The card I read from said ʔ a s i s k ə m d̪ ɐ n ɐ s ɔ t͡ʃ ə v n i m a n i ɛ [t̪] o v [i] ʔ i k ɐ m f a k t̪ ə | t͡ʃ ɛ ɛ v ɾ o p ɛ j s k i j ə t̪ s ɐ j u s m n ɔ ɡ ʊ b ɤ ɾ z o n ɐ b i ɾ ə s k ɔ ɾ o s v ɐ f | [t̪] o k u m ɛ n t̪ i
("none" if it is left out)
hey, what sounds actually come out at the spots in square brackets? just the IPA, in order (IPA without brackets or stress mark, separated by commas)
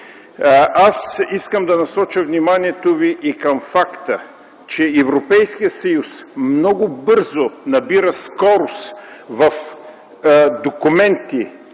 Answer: t̪, i, d̪